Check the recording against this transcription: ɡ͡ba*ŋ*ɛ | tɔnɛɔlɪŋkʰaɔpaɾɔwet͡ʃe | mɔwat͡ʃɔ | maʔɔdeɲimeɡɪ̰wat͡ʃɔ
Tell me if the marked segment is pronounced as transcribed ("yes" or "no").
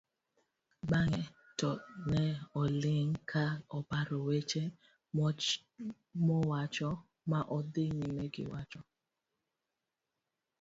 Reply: yes